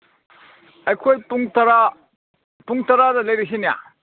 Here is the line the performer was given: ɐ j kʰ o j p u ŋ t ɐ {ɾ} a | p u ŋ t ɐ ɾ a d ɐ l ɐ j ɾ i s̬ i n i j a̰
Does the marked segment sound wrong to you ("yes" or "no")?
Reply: no